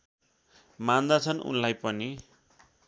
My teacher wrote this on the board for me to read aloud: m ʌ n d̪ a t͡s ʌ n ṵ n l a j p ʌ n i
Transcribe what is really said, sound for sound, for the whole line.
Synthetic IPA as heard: m a n d̪ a t͡sʰ ʌ n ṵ n l a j p ʌ n i